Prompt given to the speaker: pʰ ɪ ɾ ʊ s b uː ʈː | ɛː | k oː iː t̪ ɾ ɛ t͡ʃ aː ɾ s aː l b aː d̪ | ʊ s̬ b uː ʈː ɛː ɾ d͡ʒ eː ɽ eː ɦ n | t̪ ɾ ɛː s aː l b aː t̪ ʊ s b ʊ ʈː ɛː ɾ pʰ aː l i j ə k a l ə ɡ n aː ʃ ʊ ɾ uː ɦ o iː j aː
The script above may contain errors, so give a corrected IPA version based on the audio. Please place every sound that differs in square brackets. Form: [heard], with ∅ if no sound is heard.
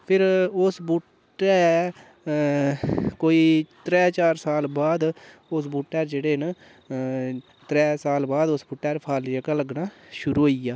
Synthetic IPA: pʰ ɪ ɾ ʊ s b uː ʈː | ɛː | k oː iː t̪ ɾ [ɛː] t͡ʃ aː ɾ s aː l b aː d̪ | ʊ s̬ b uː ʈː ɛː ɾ d͡ʒ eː ɽ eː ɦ n | t̪ ɾ ɛː s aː l b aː [d̪] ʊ s b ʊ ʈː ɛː ɾ pʰ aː l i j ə k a l ə ɡ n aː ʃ ʊ ɾ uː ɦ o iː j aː